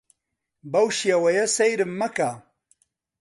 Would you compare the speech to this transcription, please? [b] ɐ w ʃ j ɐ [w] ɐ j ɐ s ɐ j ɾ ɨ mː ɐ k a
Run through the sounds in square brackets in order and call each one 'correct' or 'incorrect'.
correct, correct

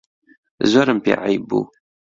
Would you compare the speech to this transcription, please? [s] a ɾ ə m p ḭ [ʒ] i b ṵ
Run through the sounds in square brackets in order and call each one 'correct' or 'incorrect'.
incorrect: z, incorrect: ʕ

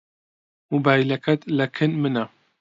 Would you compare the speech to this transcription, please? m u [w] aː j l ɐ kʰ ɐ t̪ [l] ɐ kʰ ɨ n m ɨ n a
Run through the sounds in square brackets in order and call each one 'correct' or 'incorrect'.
incorrect: b, correct

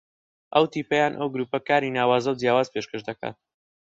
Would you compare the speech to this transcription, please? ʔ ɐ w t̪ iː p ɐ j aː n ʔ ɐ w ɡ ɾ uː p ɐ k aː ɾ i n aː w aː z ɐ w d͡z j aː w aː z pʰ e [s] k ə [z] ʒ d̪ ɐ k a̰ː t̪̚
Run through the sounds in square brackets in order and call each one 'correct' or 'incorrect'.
incorrect: ʃ, incorrect: none

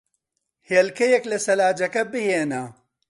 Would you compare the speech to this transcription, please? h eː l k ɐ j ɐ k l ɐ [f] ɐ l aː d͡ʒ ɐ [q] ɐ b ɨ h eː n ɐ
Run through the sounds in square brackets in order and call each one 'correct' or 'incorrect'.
incorrect: s, incorrect: k

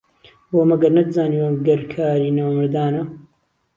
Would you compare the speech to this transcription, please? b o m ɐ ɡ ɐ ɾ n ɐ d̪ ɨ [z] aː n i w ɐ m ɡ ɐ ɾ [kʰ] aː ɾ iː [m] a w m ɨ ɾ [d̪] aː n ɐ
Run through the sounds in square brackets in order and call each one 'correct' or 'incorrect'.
correct, correct, incorrect: n, correct

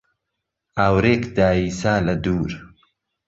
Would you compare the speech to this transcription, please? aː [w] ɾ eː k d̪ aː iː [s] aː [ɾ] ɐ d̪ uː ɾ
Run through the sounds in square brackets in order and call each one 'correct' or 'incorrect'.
correct, correct, incorrect: l

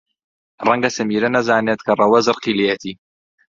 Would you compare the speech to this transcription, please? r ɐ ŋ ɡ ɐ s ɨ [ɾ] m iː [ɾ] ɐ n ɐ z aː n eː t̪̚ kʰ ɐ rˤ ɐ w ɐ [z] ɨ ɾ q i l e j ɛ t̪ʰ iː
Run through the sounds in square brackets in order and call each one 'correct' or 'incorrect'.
incorrect: none, correct, correct

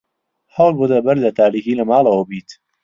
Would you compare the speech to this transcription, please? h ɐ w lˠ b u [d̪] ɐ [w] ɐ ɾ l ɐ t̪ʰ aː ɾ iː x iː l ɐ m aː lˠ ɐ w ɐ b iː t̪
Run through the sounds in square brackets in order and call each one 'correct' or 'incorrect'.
correct, incorrect: b

